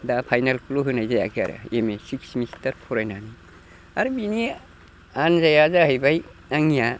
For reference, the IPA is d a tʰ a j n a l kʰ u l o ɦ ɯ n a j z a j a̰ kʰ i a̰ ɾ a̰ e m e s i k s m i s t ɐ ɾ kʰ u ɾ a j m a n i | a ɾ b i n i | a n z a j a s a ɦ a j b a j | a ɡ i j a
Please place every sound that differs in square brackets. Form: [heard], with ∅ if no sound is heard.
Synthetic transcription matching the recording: d a [pʰ] a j n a l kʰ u l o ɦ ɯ n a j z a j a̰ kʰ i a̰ ɾ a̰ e m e s i k s m i s t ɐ ɾ [pʰ] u ɾ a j [n] a n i | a ɾ b i n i | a n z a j a [z] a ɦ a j b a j | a [ŋ] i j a